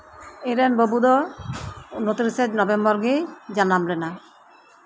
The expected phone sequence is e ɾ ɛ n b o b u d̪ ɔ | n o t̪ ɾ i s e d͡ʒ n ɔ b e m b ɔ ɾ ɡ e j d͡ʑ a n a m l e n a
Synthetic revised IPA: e ɾ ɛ n b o b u d̪ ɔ | n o t̪ ɾ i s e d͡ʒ n ɔ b e m b ɔ ɾ ɡ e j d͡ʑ a n a m l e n a